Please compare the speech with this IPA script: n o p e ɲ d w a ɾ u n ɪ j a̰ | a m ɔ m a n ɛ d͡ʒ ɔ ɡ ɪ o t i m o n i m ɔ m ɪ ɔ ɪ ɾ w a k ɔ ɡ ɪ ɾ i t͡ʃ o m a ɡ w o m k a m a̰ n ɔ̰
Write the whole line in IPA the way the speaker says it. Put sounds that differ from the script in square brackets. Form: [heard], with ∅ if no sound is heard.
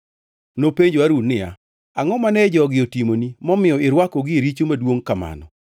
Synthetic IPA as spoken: n o p e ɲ [d͡ʒ] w a ɾ u n ɪ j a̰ | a [ŋ] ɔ m a n ɛ d͡ʒ ɔ ɡ ɪ o t i m o n i m ɔ m ɪ ɔ ɪ ɾ w a k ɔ ɡ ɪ ɾ i t͡ʃ o m a [d] w o [ŋ] k a m a̰ n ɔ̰